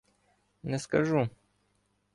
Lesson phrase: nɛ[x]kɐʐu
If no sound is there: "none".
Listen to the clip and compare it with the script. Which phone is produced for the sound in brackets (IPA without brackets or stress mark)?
s